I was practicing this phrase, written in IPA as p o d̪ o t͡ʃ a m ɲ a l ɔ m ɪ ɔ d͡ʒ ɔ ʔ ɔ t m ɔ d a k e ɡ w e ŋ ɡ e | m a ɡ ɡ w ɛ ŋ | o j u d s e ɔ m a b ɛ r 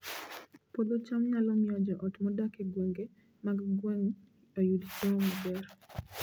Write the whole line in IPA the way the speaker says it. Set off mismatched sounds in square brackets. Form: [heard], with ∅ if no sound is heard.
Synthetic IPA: p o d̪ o t͡ʃ a m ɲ a l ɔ m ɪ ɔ d͡ʒ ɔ ʔ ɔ t m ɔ d a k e ɡ w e ŋ ɡ e | m a ɡ ɡ w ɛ ŋ | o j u d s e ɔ m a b ɛ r